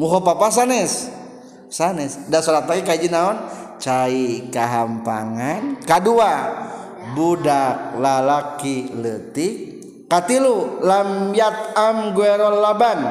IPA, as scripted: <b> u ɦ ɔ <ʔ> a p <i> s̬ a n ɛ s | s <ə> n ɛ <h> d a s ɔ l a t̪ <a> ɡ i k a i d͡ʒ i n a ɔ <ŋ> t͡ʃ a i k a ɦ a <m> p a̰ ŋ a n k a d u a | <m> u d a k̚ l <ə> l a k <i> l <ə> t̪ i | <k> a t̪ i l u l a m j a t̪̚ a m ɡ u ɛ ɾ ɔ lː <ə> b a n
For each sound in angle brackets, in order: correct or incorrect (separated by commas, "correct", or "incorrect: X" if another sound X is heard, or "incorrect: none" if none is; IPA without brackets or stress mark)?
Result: incorrect: m, incorrect: p, incorrect: a, incorrect: a, incorrect: s, correct, incorrect: n, correct, incorrect: b, incorrect: a, correct, correct, correct, incorrect: a